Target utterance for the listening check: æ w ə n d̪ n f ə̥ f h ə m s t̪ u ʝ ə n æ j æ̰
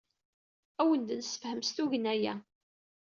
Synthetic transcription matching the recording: æ w ə n d̪ n s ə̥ f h ə m s t̪ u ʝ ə n æ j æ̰